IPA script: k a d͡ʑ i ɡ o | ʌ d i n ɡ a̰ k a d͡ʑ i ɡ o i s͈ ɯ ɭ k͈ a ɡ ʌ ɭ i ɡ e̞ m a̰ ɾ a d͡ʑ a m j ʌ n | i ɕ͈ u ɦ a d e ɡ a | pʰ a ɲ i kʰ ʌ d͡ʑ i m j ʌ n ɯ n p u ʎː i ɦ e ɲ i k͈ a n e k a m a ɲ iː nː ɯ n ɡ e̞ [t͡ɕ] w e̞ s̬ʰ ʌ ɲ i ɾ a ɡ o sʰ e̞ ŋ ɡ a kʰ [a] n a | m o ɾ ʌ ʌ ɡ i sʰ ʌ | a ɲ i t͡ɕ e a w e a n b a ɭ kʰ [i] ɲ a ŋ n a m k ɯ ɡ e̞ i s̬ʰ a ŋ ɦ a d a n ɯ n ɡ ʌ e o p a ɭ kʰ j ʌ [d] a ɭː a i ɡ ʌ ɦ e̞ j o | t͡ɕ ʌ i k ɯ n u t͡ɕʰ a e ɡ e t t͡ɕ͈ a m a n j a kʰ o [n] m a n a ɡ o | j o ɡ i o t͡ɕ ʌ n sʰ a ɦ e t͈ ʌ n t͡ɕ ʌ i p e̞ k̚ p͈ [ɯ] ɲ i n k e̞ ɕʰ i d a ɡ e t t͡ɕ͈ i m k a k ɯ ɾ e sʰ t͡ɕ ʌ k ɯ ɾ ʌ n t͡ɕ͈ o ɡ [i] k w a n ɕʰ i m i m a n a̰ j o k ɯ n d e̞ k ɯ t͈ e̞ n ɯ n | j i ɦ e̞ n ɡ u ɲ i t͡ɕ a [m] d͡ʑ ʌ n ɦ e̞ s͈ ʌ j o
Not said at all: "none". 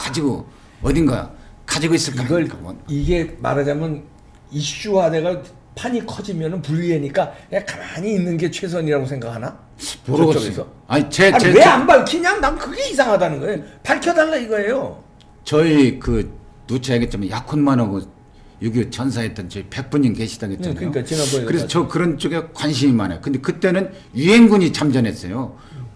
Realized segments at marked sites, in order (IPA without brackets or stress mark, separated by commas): t͡ɕʰ, a, i, d, n, u, e, m